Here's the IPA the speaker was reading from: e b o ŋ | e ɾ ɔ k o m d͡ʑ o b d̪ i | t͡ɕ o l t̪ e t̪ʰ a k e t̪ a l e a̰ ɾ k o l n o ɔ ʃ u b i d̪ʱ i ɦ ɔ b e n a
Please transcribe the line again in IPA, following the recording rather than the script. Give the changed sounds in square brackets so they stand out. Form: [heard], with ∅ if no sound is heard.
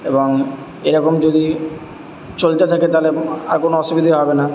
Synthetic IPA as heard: e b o ŋ | e ɾ ɔ k o m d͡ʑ o [∅] d̪ i | t͡ɕ o l t̪ e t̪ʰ a k e t̪ a l e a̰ ɾ k o [∅] n o ɔ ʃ u b i d̪ʱ i ɦ ɔ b e n a